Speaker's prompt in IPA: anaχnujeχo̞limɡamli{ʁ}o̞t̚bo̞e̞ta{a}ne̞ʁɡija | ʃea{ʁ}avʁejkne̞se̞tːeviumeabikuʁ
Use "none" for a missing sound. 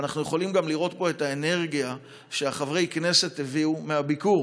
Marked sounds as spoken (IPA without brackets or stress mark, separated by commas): ʁ, e, χ